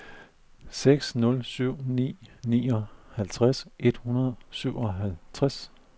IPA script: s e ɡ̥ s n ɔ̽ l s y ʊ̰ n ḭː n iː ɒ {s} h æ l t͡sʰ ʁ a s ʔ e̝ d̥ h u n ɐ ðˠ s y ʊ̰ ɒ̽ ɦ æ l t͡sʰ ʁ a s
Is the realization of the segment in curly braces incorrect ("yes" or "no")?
yes